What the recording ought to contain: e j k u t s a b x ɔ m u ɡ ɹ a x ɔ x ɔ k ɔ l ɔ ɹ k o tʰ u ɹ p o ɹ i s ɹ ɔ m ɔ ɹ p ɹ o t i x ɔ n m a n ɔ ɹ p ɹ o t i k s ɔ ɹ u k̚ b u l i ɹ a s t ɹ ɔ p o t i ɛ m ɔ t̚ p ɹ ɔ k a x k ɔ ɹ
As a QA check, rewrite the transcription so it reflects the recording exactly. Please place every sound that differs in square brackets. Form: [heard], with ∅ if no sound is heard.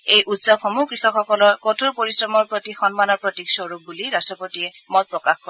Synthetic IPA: e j [ʔ] u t s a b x ɔ m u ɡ ɹ [i] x ɔ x ɔ k ɔ l ɔ ɹ k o tʰ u ɹ p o ɹ i s ɹ ɔ m ɔ ɹ p ɹ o t i x ɔ n m a n ɔ ɹ p ɹ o t i k s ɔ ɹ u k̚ b u l i ɹ a s t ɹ ɔ p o t i ɛ m ɔ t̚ p ɹ ɔ k a x k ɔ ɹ